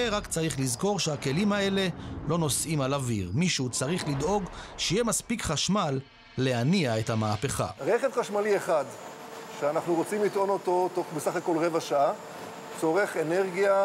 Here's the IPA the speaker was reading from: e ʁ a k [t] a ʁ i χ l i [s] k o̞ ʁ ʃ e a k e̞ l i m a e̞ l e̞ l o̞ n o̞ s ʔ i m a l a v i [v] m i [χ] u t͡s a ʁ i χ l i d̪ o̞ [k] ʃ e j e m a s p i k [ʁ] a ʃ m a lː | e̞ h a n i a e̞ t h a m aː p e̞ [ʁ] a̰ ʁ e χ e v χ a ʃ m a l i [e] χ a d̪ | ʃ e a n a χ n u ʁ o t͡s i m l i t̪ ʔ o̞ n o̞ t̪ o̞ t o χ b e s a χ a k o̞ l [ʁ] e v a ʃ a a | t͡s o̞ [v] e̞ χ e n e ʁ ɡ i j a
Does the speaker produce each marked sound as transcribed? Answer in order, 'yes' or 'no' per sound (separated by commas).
no, no, no, no, no, no, no, yes, yes, no